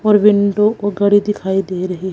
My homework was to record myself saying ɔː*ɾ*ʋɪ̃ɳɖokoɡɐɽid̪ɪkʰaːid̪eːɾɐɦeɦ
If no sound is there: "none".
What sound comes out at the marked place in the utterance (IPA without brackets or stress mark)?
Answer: ɾ